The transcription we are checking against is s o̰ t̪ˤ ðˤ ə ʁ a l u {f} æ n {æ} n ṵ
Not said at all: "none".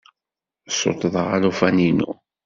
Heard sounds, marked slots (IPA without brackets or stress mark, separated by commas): f, i